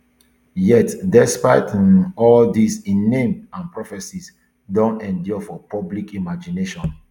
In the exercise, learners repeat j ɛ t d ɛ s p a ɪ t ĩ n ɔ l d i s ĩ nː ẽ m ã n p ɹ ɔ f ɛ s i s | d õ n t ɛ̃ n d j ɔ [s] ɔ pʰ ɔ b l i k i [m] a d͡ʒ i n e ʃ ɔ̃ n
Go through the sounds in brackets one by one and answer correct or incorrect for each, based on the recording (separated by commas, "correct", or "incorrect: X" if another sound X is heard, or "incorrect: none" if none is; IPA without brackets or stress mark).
incorrect: f, correct